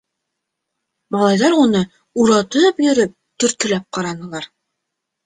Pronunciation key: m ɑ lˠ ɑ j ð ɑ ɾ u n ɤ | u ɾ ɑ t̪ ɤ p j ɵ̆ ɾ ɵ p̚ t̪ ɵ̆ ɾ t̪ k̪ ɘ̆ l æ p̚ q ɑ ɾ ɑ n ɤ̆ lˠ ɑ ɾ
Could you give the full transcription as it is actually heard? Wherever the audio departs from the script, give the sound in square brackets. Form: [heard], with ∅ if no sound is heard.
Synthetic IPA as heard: m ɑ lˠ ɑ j ð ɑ ɾ u n ɤ | u ɾ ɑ t̪ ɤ p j ɵ̆ ɾ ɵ p̚ t̪ ɵ̆ ɾ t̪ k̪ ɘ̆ l æ p̚ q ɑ ɾ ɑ n ɤ̆ lˠ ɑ ɾ

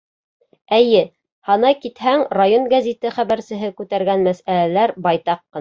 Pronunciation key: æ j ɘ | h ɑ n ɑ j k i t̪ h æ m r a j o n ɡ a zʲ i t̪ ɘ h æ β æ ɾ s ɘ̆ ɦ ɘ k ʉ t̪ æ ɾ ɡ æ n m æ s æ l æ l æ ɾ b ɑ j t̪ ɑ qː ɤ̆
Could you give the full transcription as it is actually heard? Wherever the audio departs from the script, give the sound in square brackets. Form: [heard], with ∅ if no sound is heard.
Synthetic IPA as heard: æ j ɘ | h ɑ n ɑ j k i t̪ h æ [ŋ] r a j o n ɡ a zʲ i t̪ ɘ [χ] æ β æ ɾ s ɘ̆ ɦ ɘ k ʉ t̪ æ ɾ ɡ æ n m æ s æ l æ l æ ɾ b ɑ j t̪ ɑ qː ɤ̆

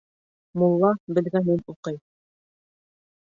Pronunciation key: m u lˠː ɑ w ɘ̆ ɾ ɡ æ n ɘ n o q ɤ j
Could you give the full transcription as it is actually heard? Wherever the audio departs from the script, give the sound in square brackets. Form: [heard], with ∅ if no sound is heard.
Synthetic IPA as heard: m u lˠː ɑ [b] ɘ̆ [l] ɡ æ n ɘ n [u] q ɤ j

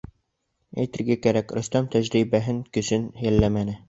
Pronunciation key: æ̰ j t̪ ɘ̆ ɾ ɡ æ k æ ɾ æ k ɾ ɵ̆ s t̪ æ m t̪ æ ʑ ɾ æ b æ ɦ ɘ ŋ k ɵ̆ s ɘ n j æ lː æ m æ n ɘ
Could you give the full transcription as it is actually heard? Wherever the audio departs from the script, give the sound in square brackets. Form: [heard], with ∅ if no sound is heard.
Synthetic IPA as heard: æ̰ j t̪ ɘ̆ ɾ ɡ æ k æ ɾ æ k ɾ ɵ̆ s t̪ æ m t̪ æ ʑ ɾ [i] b æ ɦ ɘ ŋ k ɵ̆ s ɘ n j æ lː æ m æ n ɘ

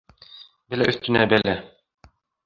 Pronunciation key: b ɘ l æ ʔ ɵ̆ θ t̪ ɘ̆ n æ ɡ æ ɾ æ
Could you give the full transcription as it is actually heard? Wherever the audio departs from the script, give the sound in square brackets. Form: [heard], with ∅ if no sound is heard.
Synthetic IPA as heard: b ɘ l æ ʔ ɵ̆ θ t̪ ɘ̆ n æ [b] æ [l] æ

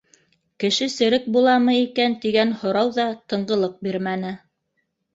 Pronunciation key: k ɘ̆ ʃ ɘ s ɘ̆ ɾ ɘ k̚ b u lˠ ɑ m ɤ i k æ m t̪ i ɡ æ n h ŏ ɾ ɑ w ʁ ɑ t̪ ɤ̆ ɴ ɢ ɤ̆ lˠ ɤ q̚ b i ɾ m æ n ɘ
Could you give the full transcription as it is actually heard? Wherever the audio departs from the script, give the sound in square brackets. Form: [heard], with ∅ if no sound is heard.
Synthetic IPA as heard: k ɘ̆ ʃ ɘ s ɘ̆ ɾ ɘ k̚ b u lˠ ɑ m ɤ i k æ [n] t̪ i ɡ æ n h ŏ ɾ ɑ w [ð] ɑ t̪ ɤ̆ ɴ ɢ ɤ̆ lˠ ɤ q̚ b i ɾ m æ n ɘ

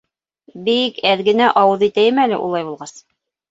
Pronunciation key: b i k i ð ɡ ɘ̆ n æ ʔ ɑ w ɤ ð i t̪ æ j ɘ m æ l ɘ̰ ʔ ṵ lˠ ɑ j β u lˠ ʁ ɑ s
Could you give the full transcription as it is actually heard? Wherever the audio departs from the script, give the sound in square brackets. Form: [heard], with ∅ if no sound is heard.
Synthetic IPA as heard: b i k [æ] ð ɡ ɘ̆ n æ ʔ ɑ w ɤ ð i t̪ æ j ɘ m æ l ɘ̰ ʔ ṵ lˠ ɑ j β u lˠ ʁ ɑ s

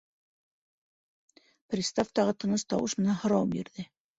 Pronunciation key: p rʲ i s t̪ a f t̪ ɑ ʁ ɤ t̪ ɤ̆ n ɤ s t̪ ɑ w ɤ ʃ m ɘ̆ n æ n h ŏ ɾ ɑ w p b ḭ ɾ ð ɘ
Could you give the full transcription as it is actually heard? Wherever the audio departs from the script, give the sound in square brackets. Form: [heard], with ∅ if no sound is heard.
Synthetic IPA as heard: p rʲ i s t̪ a f t̪ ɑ ʁ ɤ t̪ ɤ̆ n ɤ s t̪ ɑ w ɤ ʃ m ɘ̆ n æ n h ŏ ɾ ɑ w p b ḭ ɾ ð ɘ

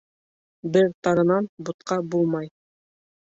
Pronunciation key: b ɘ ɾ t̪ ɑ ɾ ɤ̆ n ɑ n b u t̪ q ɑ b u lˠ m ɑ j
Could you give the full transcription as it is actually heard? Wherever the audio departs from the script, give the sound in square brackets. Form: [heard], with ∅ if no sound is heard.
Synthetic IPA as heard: b ɘ ɾ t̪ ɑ ɾ ɤ̆ n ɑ n b u t̪ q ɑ b u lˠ m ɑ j

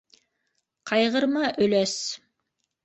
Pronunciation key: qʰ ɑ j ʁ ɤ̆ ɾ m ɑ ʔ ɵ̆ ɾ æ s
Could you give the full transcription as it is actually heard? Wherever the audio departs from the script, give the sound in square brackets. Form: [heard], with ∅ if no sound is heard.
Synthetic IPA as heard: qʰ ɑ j ʁ ɤ̆ ɾ m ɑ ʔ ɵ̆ [l] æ s

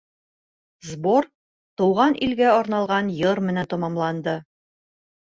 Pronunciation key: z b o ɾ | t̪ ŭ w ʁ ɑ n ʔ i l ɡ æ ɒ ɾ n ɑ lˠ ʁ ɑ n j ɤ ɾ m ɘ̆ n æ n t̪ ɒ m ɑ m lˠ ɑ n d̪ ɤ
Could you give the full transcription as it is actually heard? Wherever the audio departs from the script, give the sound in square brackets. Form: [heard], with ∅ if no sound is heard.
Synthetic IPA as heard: z b o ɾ | t̪ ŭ w ʁ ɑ n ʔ i l ɡ æ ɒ ɾ n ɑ lˠ ʁ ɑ n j ɤ ɾ m ɘ̆ n æ n t̪ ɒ m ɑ m lˠ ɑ n d̪ ɤ

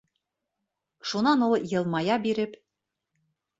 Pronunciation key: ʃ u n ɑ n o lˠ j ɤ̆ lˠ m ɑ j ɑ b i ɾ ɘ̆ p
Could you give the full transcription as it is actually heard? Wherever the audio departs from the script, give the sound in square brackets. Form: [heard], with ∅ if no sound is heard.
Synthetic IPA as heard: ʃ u n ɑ n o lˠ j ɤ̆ lˠ m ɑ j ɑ b i ɾ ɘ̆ p

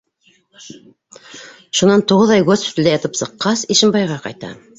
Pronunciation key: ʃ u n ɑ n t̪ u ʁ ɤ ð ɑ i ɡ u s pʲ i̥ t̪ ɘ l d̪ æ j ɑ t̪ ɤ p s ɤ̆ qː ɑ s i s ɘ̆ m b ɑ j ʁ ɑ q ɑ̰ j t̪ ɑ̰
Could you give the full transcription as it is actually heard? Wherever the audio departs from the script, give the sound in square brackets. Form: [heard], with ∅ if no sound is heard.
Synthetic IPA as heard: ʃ u n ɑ n t̪ u ʁ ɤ ð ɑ [j] ɡ [o] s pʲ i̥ t̪ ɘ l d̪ æ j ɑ t̪ ɤ p s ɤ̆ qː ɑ s i [ʃ] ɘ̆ m b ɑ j ʁ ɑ q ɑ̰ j t̪ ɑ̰

